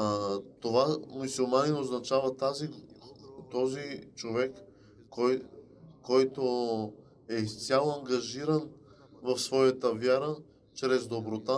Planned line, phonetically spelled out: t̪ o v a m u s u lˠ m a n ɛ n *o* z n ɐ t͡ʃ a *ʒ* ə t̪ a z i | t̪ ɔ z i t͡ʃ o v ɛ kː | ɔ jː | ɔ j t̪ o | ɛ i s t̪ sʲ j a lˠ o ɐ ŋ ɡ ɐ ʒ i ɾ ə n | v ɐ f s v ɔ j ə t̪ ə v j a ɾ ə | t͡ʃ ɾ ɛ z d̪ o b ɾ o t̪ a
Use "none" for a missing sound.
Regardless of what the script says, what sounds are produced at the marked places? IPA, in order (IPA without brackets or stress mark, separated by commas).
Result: o, v